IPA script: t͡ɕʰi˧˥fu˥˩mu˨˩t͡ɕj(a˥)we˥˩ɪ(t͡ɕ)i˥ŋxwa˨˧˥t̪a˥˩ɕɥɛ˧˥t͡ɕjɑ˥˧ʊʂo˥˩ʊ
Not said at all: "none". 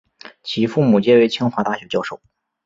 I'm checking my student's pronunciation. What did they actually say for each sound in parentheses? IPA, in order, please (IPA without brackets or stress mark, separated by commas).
ɛ˥, t͡ɕʰ